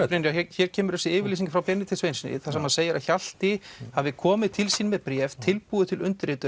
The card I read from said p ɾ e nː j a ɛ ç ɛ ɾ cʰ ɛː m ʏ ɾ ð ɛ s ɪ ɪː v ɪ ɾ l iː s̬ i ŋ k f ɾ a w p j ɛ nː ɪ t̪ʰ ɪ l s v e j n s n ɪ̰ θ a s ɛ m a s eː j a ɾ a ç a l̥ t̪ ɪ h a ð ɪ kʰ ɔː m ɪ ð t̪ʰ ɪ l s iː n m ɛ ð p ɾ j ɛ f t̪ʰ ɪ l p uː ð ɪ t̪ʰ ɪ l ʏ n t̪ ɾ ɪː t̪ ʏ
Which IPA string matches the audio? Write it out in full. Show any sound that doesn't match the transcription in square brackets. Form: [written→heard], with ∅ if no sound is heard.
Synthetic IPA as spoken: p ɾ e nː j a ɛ ç ɛ ɾ cʰ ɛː m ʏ ɾ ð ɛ s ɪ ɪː v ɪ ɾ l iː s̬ i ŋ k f ɾ a w p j ɛ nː ɪ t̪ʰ ɪ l s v e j n s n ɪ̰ θ a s ɛ m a s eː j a ɾ a ç a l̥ t̪ ɪ h a [ð→v] ɪ kʰ ɔː m ɪ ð t̪ʰ ɪ l s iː n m ɛ ð p ɾ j ɛ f t̪ʰ ɪ l p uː ð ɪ t̪ʰ ɪ l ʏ n t̪ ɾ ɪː t̪ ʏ